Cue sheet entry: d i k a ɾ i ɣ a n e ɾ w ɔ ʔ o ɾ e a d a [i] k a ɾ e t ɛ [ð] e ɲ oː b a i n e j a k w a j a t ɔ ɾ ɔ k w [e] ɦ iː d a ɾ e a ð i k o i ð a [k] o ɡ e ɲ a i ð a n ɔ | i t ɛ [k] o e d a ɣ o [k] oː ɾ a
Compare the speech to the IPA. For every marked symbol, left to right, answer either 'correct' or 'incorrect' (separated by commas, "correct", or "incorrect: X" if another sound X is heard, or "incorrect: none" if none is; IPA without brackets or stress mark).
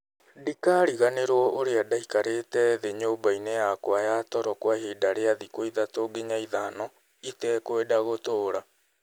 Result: correct, correct, incorrect: a, incorrect: t, correct, incorrect: t